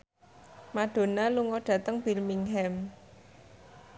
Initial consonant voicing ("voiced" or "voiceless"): voiced